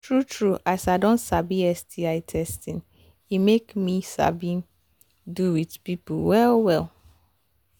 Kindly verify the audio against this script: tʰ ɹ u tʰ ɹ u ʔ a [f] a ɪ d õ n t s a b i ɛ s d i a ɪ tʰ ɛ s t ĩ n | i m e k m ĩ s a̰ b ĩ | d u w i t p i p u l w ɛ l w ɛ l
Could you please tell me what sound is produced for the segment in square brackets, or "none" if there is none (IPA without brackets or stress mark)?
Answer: s